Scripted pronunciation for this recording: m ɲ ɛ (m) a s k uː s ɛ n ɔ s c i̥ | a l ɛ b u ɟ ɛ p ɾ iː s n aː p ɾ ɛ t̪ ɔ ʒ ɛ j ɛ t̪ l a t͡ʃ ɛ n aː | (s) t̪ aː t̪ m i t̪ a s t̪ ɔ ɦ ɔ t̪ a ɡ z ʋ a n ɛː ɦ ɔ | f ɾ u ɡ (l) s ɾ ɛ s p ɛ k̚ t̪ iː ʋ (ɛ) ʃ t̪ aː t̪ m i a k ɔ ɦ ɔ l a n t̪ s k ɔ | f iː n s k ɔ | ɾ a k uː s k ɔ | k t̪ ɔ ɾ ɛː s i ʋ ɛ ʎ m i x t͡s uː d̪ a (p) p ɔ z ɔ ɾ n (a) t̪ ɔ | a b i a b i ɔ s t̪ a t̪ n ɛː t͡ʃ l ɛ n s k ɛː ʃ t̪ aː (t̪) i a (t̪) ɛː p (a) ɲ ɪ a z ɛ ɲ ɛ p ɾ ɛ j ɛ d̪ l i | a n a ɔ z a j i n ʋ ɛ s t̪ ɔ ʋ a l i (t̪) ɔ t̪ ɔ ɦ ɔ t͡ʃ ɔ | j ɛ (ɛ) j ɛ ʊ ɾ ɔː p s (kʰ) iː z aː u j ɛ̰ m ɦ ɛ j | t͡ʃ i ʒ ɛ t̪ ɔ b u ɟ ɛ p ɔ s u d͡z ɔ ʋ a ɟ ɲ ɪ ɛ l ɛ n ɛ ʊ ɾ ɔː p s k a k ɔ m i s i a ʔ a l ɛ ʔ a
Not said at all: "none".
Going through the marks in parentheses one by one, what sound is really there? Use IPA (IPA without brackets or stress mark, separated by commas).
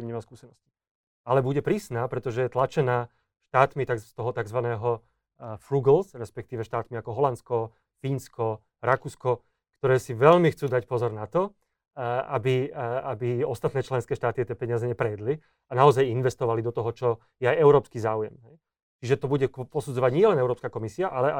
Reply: m, ʃ, l, ɛ, c, a, t̪, t̪, ɛ, d̪, a, k